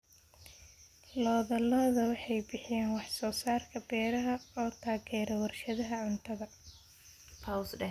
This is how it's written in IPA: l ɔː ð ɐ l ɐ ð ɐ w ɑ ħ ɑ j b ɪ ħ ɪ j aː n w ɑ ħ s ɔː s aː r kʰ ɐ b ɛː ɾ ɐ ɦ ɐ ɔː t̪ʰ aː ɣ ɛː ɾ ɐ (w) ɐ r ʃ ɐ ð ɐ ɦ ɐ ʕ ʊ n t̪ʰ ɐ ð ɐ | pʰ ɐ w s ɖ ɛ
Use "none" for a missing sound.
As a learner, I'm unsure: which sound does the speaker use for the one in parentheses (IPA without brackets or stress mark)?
w